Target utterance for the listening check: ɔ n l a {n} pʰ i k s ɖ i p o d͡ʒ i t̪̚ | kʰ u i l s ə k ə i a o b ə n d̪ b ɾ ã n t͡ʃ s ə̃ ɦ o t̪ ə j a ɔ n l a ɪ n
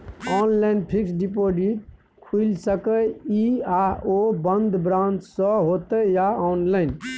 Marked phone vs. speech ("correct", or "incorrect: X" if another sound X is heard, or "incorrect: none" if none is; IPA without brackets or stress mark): correct